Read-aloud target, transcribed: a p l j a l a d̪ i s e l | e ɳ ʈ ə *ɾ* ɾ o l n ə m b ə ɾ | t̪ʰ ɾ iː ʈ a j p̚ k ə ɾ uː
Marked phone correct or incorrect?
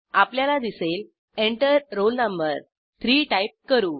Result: correct